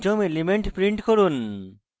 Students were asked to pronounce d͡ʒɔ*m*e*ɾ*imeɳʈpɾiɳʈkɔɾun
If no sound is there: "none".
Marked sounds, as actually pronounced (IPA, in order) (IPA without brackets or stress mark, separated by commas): m, l